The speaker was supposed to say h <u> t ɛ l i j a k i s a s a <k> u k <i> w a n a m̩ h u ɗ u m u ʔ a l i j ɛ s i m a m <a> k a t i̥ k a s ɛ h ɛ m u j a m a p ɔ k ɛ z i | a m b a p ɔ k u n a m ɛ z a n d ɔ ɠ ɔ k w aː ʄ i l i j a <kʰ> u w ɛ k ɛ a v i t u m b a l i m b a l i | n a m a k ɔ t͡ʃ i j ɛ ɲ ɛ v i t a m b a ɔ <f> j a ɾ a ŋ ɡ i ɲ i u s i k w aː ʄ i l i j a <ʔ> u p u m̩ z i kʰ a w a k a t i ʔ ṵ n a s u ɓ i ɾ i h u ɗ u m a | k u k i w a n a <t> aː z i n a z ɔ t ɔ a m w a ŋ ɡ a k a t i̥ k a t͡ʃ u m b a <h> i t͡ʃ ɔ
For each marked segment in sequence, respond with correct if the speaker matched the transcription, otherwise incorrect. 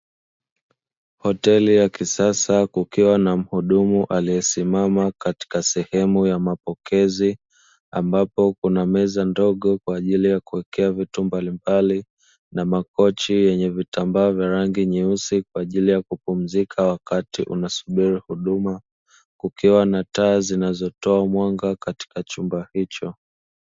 incorrect: ɔ, correct, correct, correct, incorrect: k, incorrect: v, incorrect: k, correct, correct

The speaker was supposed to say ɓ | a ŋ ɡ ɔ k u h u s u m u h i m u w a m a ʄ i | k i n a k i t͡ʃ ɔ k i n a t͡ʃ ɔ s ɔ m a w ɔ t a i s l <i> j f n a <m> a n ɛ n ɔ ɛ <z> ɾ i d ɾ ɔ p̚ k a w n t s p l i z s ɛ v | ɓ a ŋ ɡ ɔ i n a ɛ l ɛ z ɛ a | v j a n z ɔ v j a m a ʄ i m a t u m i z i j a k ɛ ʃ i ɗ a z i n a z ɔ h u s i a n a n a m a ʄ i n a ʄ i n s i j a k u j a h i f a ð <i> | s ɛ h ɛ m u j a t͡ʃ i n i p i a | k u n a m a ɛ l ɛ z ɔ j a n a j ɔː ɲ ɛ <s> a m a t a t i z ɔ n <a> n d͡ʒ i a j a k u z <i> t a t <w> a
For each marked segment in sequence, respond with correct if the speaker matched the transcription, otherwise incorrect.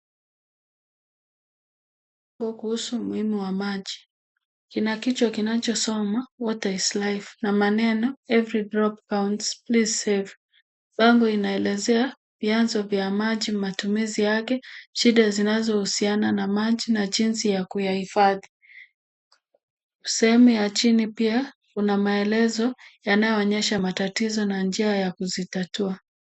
incorrect: a, correct, incorrect: v, correct, incorrect: ʃ, correct, correct, incorrect: u

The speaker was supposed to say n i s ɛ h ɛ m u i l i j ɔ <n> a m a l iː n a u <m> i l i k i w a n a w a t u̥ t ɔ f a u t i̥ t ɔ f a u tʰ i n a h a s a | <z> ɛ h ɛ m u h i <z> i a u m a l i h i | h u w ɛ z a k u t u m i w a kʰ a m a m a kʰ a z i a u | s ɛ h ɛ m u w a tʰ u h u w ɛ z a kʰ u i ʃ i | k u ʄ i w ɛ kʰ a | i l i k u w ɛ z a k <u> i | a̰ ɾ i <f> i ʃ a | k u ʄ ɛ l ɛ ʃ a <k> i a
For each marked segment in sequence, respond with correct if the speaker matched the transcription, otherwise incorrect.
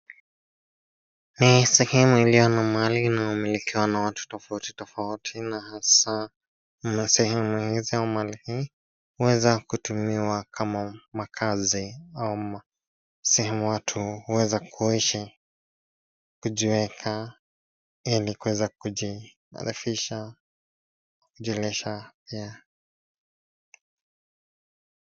correct, correct, incorrect: s, correct, correct, correct, incorrect: p

